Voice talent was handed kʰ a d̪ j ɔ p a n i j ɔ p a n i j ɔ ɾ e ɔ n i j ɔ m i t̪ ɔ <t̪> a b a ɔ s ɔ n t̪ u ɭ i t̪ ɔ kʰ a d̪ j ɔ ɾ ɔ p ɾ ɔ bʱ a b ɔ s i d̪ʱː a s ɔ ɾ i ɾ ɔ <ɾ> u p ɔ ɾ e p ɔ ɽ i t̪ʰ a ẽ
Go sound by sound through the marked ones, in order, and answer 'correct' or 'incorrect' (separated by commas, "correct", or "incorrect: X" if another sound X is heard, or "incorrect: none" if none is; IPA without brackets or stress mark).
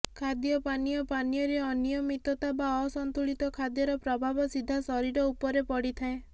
correct, incorrect: none